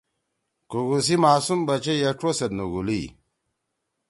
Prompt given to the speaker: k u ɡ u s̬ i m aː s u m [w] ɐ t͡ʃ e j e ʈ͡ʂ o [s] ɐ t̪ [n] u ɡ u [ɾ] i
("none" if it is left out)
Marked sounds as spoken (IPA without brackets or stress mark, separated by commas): b, s, n, l